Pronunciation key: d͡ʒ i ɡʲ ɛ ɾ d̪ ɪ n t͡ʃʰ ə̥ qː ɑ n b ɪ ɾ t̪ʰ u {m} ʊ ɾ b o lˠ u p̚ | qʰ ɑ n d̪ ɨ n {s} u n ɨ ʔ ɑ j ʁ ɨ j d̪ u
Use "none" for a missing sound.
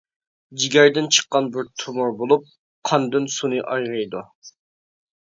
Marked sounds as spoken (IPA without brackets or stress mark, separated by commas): m, s